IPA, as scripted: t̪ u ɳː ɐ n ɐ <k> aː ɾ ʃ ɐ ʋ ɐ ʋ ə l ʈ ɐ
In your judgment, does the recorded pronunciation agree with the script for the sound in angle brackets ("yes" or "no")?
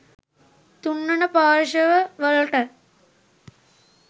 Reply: no